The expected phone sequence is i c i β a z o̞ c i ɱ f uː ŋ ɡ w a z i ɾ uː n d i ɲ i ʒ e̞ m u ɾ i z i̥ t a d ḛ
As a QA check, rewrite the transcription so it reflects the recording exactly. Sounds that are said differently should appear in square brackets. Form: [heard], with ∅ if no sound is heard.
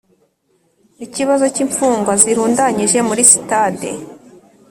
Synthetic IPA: i c i β a z o̞ c i ɱ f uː ŋ ɡ w a z i ɾ uː n d [a] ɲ i ʒ e̞ m u ɾ i [s] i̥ t a d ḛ